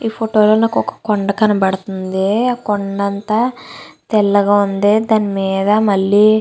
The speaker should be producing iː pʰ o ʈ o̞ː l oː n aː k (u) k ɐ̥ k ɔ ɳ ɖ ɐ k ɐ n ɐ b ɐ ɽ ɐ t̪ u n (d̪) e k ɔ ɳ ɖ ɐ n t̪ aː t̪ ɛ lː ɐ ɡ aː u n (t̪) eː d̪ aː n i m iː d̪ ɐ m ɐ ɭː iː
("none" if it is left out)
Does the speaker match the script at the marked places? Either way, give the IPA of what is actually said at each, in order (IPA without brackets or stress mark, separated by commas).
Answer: ɔ, d̪, d̪